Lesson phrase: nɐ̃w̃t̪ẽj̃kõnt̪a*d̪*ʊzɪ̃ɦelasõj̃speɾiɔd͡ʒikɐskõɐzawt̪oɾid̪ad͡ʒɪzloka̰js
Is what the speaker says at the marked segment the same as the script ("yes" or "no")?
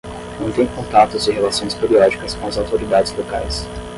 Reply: no